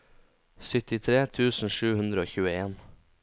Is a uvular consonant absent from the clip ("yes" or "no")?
yes